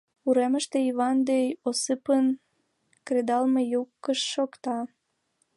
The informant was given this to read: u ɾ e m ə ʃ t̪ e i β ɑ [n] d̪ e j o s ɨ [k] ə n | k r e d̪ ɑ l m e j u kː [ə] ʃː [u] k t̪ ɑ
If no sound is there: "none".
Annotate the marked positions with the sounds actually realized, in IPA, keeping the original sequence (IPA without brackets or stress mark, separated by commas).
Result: n, p, ə, o